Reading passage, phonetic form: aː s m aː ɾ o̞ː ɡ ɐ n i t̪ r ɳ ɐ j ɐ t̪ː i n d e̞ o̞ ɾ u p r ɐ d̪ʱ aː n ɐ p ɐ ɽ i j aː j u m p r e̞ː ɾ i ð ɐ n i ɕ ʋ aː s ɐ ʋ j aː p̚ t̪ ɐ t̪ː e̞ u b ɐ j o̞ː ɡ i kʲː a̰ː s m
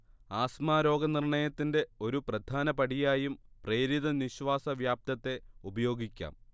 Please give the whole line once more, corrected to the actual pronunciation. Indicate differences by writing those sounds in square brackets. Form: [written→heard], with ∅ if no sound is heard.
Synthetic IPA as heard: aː s m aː ɾ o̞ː ɡ ɐ n i [t̪→∅] r ɳ ɐ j ɐ t̪ː i n d e̞ o̞ ɾ u p r ɐ d̪ʱ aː n ɐ p ɐ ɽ i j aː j u m p r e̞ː ɾ i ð ɐ n i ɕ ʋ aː s ɐ ʋ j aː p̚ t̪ ɐ t̪ː e̞ u b ɐ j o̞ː ɡ i kʲː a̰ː [s→∅] m